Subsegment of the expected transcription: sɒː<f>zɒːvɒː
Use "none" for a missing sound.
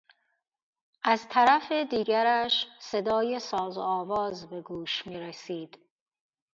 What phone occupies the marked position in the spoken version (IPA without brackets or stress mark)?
none